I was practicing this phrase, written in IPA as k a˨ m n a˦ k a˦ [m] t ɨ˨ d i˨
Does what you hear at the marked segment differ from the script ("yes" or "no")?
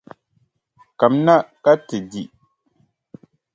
yes